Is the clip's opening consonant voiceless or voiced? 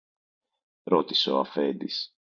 voiced